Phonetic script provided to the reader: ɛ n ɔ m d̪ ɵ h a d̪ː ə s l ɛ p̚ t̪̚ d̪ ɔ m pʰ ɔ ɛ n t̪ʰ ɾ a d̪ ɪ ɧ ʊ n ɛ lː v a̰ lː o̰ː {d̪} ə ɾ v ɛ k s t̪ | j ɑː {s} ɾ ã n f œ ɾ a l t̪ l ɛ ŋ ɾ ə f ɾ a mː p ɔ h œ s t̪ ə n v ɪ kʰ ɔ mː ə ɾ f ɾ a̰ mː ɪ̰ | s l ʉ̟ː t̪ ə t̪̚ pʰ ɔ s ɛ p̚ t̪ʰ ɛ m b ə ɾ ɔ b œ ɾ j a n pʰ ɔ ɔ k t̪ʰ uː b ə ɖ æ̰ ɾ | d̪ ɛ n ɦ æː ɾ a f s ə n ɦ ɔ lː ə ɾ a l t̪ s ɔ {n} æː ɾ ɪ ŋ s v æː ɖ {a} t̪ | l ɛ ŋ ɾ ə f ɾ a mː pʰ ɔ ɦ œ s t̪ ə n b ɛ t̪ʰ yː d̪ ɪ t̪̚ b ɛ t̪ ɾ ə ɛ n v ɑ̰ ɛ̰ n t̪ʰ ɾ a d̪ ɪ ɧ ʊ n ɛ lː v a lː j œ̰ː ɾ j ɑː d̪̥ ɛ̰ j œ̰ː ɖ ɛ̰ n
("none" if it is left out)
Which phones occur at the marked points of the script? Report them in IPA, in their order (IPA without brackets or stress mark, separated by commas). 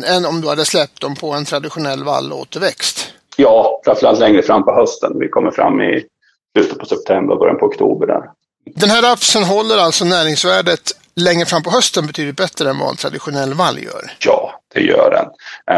t̪, f, n, ə